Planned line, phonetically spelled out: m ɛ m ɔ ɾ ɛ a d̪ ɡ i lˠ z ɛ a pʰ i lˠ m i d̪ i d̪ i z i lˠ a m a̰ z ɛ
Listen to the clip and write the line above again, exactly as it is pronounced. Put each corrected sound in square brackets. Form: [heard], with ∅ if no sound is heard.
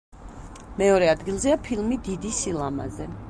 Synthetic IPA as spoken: m ɛ [∅] ɔ ɾ ɛ a d̪ ɡ i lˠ z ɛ a pʰ i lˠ m i d̪ i d̪ i [s] i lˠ a m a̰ z ɛ